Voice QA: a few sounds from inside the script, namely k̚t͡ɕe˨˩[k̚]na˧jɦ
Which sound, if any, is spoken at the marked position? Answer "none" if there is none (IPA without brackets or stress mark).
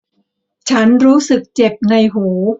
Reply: p̚